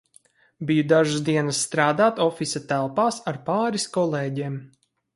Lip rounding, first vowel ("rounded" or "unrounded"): unrounded